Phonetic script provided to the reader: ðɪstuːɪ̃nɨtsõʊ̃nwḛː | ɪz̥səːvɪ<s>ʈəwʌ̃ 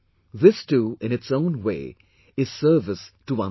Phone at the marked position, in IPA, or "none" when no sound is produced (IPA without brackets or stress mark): s